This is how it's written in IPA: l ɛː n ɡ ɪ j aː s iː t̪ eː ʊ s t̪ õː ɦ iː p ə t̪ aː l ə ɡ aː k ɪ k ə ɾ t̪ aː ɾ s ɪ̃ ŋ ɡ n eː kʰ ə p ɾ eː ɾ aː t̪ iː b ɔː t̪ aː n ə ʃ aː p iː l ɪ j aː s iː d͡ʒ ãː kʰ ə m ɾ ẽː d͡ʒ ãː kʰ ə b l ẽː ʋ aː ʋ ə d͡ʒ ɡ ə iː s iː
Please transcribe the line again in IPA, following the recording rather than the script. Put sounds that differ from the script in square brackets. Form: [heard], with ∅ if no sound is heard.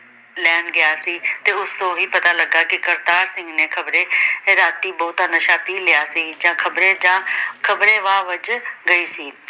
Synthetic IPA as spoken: l ɛː n ɡ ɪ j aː s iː t̪ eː ʊ s t̪ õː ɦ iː p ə t̪ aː l ə ɡ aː k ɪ k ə ɾ t̪ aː ɾ s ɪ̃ ŋ ɡ n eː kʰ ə [b] ɾ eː ɾ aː t̪ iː b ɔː t̪ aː n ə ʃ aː p iː l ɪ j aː s iː d͡ʒ ãː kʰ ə [b] ɾ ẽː d͡ʒ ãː kʰ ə b [ɾ] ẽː ʋ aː ʋ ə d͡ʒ ɡ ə iː s iː